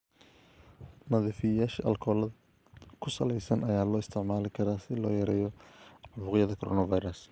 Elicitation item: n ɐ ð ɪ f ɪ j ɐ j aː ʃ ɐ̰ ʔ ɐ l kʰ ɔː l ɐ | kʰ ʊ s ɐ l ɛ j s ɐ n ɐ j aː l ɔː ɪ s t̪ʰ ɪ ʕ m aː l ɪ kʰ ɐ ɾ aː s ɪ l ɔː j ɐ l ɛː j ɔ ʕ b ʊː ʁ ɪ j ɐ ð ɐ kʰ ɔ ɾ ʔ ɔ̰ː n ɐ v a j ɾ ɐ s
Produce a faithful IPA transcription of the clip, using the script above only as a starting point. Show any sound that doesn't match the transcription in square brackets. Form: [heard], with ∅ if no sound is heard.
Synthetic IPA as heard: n ɐ ð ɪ f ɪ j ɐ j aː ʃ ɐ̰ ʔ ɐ l kʰ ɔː l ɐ | kʰ ʊ s ɐ l ɛ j s ɐ n ɐ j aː l ɔː ɪ s t̪ʰ ɪ ʕ m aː l ɪ kʰ ɐ ɾ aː s ɪ l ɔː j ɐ [ɾ] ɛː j ɔ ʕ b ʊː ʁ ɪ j ɐ ð ɐ kʰ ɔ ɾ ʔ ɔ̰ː n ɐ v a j ɾ ɐ s